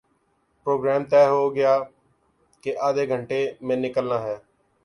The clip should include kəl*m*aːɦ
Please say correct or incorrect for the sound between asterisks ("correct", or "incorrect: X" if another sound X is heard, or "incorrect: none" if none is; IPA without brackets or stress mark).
incorrect: n